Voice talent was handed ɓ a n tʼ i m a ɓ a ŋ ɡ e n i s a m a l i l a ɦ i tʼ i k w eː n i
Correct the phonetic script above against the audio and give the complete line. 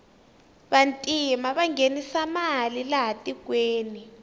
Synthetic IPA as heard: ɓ a n tʼ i m a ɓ a ŋ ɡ e n i s a m a l i l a ɦ a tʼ i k w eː n i